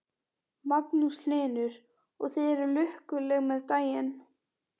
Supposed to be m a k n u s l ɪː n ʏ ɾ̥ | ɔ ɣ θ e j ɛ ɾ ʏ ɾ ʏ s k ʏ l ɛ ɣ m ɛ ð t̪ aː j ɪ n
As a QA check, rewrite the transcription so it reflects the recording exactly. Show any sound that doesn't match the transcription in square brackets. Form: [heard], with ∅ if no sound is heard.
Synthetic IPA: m a [p] n u s l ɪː n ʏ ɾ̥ | ɔ ɣ θ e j ɛ ɾ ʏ [l] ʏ [h] k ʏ l ɛ ɣ m ɛ ð t̪ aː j ɪ n